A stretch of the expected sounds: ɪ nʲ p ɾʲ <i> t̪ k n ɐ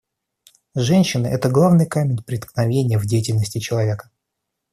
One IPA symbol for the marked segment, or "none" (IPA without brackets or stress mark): ɪ